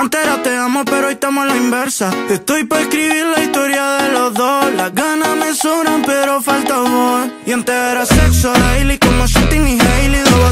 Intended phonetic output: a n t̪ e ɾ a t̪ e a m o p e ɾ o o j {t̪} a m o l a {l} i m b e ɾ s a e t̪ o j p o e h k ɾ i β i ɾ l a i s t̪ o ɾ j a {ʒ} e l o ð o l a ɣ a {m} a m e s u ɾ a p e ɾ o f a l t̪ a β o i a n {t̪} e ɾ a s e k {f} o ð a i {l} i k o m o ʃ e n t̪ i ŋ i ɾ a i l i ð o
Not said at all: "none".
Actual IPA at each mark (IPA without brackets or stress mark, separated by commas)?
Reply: t̪, none, ð, n, t̪, s, l